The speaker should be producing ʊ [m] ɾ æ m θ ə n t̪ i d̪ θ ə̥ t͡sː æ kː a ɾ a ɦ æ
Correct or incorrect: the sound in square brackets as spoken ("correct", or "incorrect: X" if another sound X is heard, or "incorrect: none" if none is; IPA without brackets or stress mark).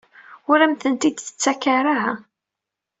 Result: incorrect: none